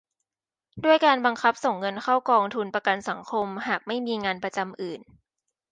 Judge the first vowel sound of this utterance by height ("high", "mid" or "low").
high